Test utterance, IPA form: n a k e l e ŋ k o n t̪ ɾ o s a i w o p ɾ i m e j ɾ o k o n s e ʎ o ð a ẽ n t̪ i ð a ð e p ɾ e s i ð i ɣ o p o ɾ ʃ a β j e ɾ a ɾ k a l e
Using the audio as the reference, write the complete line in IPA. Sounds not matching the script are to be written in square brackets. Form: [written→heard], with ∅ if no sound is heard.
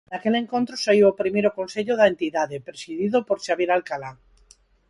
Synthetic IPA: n a k e l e ŋ k o n t̪ ɾ o s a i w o p ɾ i m e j ɾ o k o n s e ʎ o ð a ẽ n t̪ i ð a ð e p ɾ e s i ð i [ɣ→ð] o p o ɾ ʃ a β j e ɾ a [ɾ→l] k a l [e→a]